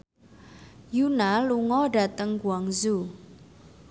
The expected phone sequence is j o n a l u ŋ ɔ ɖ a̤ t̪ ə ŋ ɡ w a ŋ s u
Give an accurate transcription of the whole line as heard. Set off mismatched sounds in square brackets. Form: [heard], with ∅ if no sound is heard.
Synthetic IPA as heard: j [u] n a l u ŋ ɔ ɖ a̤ t̪ ə ŋ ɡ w a ŋ [z] u